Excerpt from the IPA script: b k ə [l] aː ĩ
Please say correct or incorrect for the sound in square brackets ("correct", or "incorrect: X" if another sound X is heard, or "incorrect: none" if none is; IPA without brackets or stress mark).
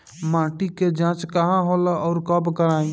incorrect: ɾ